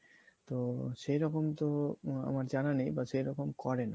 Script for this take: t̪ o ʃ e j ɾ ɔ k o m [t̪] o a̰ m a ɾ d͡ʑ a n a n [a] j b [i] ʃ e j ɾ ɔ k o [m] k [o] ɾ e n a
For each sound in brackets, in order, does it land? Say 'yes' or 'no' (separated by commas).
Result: yes, no, no, yes, no